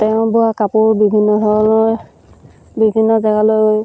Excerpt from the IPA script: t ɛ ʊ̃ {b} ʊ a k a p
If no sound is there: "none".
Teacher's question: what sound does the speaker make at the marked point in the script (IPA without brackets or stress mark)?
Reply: b